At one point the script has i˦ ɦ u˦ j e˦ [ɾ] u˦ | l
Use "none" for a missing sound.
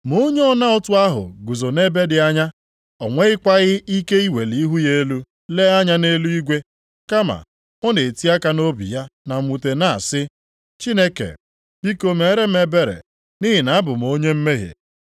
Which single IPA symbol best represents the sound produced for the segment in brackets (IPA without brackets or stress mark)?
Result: l